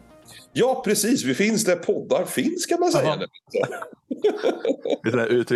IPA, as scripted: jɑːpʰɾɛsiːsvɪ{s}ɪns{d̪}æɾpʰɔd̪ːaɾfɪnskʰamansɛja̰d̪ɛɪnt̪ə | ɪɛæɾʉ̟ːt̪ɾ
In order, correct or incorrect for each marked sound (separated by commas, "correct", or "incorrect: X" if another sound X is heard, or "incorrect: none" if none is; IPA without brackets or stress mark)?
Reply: incorrect: f, correct